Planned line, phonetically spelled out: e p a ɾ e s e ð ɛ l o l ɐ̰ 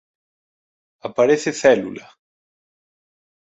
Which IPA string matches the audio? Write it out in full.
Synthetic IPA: a p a ɾ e θ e θ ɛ l u l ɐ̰